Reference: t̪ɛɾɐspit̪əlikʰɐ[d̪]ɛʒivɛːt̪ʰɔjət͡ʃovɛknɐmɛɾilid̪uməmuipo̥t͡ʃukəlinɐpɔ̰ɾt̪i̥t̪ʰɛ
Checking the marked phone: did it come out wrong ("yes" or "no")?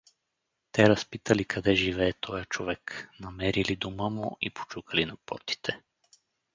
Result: no